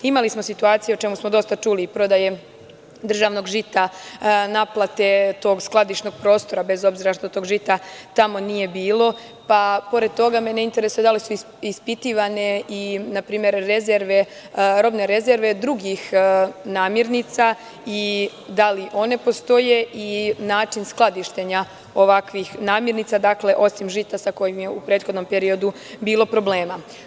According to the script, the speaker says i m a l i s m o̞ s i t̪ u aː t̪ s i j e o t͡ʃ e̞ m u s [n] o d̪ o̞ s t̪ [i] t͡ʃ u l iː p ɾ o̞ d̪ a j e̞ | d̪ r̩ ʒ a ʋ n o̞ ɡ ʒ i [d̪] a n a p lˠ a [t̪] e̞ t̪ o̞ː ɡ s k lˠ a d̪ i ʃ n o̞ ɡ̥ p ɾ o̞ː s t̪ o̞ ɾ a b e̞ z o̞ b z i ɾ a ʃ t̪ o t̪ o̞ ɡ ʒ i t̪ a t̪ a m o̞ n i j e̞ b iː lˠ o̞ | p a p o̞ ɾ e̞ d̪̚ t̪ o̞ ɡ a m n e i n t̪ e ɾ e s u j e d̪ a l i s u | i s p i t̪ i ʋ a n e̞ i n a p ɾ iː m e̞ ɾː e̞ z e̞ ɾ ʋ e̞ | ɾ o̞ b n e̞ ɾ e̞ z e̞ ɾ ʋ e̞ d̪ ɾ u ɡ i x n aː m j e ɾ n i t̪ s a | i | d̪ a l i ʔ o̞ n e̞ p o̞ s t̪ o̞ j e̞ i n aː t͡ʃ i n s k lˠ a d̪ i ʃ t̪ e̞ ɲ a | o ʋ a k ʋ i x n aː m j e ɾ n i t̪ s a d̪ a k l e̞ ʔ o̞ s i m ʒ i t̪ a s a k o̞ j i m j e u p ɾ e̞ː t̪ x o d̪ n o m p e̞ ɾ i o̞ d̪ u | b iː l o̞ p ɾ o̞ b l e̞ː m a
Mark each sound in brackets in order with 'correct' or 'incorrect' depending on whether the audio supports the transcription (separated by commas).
incorrect, incorrect, incorrect, correct